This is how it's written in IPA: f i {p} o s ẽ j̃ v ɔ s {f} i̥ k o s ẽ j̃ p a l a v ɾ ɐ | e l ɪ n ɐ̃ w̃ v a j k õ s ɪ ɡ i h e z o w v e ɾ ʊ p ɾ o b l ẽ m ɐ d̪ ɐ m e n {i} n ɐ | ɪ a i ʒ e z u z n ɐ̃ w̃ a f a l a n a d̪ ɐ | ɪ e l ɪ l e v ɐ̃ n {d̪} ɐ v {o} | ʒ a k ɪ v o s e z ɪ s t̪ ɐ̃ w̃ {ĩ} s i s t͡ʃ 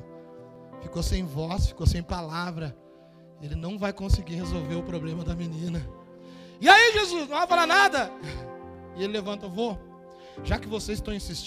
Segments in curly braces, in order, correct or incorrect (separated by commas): incorrect, correct, incorrect, incorrect, correct, correct